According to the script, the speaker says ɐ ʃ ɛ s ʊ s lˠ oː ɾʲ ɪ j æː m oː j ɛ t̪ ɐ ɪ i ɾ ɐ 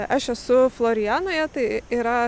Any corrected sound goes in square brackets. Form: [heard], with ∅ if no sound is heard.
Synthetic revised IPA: ɐ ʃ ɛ s ʊ [f] lˠ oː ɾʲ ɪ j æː [n] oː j ɛ t̪ ɐ ɪ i ɾ ɐ